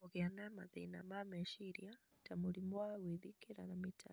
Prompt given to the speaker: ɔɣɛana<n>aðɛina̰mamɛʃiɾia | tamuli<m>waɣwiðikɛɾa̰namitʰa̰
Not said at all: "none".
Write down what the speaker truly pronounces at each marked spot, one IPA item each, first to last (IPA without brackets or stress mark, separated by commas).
m, m